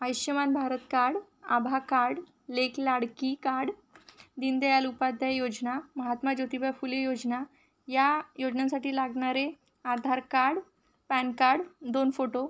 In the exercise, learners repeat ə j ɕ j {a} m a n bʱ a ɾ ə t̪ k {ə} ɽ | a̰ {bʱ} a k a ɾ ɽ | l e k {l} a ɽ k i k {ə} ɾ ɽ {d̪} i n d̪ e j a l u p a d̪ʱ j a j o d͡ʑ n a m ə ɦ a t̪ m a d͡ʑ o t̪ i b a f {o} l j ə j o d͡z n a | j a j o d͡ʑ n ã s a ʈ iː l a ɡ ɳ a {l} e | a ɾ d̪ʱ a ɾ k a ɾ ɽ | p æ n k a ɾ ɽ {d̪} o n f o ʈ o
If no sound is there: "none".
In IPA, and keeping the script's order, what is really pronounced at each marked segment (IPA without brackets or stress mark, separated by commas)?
ə, a, bʱ, l, a, d̪, u, ɾ, d̪